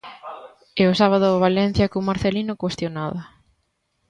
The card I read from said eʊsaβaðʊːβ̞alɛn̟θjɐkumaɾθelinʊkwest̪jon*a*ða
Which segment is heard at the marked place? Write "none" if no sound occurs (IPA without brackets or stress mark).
a